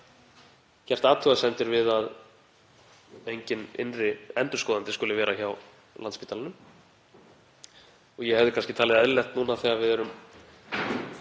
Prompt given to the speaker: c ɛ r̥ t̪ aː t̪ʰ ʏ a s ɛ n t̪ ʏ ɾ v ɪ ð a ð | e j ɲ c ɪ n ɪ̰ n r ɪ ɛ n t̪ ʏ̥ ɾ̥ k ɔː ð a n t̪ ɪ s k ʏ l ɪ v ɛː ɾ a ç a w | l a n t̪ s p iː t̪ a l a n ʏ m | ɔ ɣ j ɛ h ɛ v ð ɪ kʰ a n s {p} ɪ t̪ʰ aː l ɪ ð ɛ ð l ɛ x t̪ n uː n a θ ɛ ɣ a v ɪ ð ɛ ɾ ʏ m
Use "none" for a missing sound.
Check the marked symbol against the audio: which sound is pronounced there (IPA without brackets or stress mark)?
c